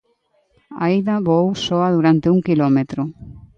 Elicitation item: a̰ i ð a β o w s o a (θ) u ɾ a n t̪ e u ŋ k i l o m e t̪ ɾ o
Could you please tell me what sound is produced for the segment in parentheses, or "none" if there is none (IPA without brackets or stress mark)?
ð